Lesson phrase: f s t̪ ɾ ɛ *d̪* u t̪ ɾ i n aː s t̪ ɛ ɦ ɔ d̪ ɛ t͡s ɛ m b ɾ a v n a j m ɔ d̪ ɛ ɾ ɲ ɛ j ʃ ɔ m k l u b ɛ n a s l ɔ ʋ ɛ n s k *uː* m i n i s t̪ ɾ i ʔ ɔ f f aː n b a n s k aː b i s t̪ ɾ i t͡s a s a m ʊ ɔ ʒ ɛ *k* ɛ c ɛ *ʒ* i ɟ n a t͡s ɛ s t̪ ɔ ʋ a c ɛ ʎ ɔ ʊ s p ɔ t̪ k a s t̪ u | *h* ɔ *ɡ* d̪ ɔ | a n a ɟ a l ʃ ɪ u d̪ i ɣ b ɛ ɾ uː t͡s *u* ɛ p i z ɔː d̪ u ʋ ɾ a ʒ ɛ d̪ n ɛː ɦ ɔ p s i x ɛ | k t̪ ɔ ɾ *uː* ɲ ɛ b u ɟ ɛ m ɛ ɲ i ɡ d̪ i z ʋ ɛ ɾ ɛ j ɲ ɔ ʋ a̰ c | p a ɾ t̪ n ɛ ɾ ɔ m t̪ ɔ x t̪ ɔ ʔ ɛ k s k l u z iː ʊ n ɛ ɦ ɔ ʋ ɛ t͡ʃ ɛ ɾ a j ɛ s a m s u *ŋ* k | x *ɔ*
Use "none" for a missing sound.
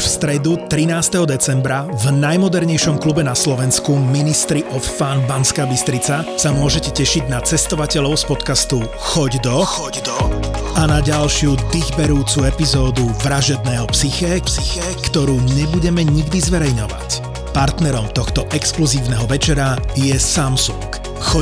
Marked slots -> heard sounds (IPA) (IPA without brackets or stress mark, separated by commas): d̪, u, c, ʃ, x, ɟ, u, uː, ŋ, ɔ